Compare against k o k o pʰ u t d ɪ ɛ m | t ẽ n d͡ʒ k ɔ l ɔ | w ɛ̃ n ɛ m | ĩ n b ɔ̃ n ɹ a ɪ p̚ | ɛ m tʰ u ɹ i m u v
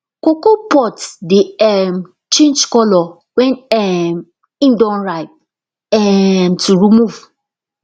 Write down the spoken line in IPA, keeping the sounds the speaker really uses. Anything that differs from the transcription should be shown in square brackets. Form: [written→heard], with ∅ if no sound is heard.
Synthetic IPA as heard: k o k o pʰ [u→ɔ] t d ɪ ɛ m | [t→t͡ʃ] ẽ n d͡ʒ k ɔ l ɔ | w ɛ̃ n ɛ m | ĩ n [b→d] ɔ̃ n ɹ a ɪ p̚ | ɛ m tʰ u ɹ i m u v

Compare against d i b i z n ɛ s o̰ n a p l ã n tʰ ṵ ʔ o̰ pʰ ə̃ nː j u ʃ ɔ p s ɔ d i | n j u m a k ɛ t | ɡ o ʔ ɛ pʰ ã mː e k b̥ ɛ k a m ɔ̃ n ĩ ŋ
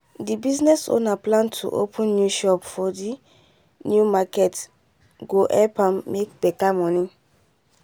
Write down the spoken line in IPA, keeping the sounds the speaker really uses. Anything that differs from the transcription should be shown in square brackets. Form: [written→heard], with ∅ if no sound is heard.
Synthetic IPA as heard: d i b i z n ɛ s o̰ n a p l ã n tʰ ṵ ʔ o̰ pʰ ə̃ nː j u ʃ ɔ p [s→f] ɔ d i | n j u m a k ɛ t | ɡ o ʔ ɛ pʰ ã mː e k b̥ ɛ k a m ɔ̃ n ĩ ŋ

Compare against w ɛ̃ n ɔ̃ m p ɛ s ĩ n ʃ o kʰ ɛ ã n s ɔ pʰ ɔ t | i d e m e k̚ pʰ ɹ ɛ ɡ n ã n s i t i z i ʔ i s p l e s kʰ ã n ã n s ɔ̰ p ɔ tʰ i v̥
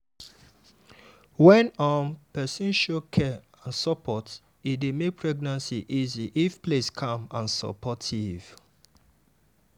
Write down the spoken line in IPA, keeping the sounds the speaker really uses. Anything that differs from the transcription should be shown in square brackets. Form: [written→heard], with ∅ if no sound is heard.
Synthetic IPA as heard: w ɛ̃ n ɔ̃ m p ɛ s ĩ n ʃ o kʰ ɛ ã n s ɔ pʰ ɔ t | i d e m e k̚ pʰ ɹ ɛ ɡ n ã n s i [t→ʔ] i z i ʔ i [s→f] p l e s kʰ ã [n→m] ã n s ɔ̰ p ɔ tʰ i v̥

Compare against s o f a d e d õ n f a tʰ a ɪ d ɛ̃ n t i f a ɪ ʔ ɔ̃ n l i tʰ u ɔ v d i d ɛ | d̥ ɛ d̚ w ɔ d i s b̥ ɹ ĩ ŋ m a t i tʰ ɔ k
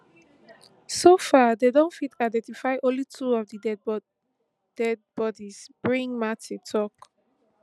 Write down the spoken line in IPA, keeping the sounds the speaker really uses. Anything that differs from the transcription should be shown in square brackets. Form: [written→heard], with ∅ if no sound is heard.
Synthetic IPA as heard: s o f a d e d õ n f [a→i] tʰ a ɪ d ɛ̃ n t i f a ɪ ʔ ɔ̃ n l i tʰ u ɔ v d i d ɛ | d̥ ɛ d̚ [w→b] ɔ d i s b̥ ɹ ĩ ŋ m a t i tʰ ɔ k

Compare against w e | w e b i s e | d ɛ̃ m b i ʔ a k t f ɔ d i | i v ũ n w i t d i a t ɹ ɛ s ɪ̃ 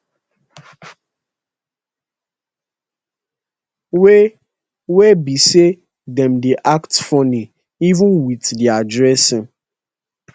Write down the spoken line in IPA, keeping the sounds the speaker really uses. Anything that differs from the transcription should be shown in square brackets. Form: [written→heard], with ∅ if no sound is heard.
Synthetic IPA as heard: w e | w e b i s e | d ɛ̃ m [b→d] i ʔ a k t f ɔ [d→n] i | i v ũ n w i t d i a [t→d] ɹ ɛ s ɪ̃

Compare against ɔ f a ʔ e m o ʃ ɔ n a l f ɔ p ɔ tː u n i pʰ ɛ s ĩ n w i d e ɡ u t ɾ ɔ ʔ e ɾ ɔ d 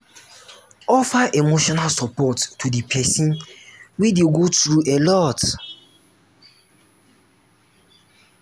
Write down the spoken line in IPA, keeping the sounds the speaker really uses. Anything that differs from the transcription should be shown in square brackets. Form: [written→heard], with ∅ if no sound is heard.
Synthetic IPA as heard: ɔ f a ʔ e m o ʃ ɔ n a l [f→s] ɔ p ɔ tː u [n→d] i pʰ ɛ s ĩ n w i d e ɡ [u→o] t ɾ [ɔ→u] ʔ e [ɾ→l] ɔ [d→t]

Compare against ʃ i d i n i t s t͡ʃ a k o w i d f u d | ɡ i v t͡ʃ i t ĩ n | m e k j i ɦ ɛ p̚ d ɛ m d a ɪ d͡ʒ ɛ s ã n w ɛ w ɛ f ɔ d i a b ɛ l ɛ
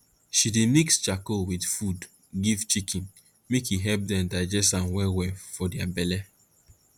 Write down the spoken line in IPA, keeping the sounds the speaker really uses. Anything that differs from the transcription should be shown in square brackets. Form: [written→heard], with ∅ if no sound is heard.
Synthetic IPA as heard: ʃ i d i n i [t→k] s t͡ʃ a k o w i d f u d | ɡ i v t͡ʃ i [t→k] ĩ n | m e k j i ɦ ɛ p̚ d ɛ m d a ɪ d͡ʒ ɛ s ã n w ɛ w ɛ f ɔ d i a b ɛ l ɛ

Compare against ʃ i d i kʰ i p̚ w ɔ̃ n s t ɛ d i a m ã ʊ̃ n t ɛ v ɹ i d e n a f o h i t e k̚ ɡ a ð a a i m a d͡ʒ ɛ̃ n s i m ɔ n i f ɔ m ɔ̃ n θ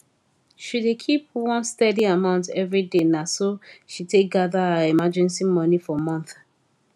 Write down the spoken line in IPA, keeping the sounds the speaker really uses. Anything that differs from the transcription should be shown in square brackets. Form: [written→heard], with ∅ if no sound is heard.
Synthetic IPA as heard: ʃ i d [i→e] kʰ i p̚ w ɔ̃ n s t ɛ d i a m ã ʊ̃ n t ɛ v ɹ i d e n a [f→s] o [h→ʃ] i t e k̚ ɡ a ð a a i m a d͡ʒ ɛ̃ n s i m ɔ n i f ɔ m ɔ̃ n θ

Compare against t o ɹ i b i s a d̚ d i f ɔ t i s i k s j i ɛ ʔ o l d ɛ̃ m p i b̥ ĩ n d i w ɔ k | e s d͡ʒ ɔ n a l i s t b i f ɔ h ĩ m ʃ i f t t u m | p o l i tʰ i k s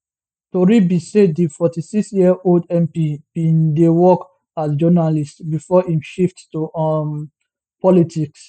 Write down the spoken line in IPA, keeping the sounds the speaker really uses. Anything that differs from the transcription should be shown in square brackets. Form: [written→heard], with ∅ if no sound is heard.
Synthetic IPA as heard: t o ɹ i b i s [a→e] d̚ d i f ɔ t i s i k s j i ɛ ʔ o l d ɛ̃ m p i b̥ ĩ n d [i→e] w ɔ k | [e→a] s d͡ʒ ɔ n a l i s t b i f ɔ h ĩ m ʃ i f t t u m | p [o→ɔ] l i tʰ i k s

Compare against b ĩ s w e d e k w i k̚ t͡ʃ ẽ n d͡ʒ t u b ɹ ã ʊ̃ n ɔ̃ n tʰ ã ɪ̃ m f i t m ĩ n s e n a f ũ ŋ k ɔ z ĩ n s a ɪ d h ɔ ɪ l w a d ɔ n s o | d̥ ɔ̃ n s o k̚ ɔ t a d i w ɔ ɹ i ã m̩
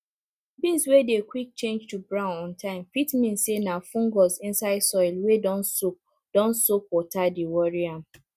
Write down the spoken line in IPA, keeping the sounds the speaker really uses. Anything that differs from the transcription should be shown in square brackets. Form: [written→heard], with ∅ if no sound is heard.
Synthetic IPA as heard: b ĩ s w e d e k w i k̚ t͡ʃ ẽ n d͡ʒ t u b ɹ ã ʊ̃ n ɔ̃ n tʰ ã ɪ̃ m f i t m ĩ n s e n a f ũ ŋ [k→ɡ] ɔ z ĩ n s a ɪ d [h→s] ɔ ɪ l w [a→e] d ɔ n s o | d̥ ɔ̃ n s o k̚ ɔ t a d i w ɔ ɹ i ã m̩

